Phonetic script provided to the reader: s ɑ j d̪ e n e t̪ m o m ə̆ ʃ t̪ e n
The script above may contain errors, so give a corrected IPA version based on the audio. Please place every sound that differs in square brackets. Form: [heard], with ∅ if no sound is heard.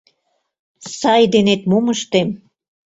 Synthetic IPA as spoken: s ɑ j d̪ e n e t̪ m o m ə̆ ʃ t̪ e [m]